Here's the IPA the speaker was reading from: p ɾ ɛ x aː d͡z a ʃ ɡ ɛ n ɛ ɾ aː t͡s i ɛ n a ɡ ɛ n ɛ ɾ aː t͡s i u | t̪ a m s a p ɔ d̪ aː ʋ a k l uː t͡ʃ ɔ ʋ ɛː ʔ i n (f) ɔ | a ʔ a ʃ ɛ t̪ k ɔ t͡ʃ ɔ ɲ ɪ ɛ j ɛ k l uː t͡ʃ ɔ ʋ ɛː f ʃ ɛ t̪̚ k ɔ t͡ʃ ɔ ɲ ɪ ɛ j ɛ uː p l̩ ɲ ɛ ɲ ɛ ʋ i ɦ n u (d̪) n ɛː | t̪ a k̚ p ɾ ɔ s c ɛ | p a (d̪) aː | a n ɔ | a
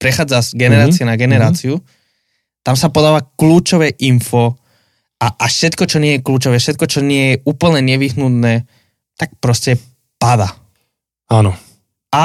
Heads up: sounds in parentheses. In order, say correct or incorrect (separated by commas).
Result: correct, incorrect, correct